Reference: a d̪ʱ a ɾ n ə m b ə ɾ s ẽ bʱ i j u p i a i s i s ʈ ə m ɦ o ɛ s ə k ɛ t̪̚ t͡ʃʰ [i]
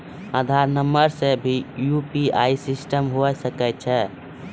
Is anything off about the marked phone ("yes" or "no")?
yes